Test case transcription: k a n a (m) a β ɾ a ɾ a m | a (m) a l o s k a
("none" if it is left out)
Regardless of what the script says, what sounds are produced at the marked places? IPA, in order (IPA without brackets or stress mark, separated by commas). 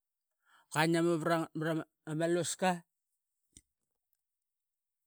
m, m